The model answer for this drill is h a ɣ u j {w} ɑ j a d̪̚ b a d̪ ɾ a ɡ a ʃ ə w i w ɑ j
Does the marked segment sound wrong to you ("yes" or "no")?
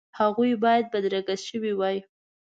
yes